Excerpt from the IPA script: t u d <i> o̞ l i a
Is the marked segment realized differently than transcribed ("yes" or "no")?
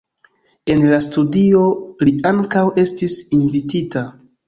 no